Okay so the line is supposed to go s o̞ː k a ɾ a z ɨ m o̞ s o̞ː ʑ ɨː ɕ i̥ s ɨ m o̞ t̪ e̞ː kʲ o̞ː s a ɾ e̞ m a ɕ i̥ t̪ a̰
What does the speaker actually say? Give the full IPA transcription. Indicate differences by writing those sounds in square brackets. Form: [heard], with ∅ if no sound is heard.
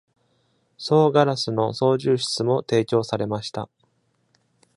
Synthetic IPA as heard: s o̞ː [ɡ] a ɾ a [s] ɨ [n] o̞ s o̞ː ʑ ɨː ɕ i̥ [t͡s] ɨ m o̞ t̪ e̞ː kʲ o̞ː s a ɾ e̞ m a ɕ i̥ t̪ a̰